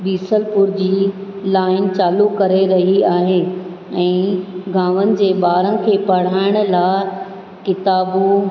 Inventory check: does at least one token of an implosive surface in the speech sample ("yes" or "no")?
no